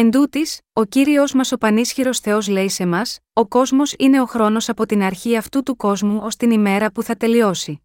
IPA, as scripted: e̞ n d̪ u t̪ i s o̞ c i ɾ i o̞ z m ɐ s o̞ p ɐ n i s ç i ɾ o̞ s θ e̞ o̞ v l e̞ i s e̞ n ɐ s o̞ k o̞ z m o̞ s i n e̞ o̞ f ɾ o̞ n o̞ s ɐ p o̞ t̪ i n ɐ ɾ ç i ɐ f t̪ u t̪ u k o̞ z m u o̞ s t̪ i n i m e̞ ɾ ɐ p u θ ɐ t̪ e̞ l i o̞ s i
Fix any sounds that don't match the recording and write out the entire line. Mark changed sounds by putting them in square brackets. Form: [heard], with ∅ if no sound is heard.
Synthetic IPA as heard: e̞ n d̪ u t̪ i s o̞ c i ɾ i o̞ z m ɐ s o̞ p ɐ n i s ç i ɾ o̞ s θ e̞ o̞ [z] l e̞ i s e̞ [m] ɐ s o̞ k o̞ z m o̞ s i n e̞ o̞ [x] ɾ o̞ n o̞ s ɐ p o̞ t̪ i n ɐ ɾ ç i ɐ f t̪ u t̪ u k o̞ z m u o̞ s t̪ i n i m e̞ ɾ ɐ p u θ ɐ t̪ e̞ l i o̞ s i